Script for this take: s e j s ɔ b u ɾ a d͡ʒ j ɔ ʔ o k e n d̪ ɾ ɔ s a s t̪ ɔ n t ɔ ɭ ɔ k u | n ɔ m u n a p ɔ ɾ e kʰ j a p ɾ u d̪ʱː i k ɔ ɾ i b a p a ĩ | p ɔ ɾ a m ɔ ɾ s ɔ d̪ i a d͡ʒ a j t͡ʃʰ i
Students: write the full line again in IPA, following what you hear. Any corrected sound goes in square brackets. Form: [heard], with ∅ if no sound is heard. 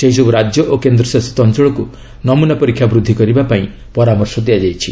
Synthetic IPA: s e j s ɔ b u ɾ a d͡ʒ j ɔ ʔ o k e n d̪ ɾ ɔ s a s t̪ ɔ n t ɔ ɭ ɔ k u | n ɔ m u n a p ɔ ɾ [i] kʰ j a [b] ɾ u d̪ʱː i k ɔ ɾ i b a p a ĩ | p ɔ ɾ a m ɔ ɾ s ɔ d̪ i a d͡ʒ a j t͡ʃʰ i